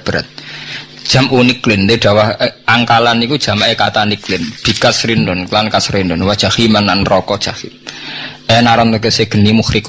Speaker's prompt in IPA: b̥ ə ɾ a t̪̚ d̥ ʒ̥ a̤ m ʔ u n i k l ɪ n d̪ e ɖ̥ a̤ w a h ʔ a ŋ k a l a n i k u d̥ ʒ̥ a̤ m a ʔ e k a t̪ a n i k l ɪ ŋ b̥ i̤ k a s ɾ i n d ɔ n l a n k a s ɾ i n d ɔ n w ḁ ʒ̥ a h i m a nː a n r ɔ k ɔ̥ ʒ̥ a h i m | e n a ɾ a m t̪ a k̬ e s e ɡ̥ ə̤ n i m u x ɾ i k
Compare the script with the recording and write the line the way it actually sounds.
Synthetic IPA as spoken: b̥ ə ɾ a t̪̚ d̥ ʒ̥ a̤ m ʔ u n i k l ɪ n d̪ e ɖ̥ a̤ w a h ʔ a ŋ k a l a n i k u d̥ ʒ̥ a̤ m a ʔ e k a t̪ a n i k l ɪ n b̥ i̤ k a s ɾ i n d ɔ n l a n k a s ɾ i n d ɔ n w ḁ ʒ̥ a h i m a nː a n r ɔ k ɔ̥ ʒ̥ a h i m | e n a ɾ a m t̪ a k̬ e s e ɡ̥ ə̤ n i m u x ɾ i k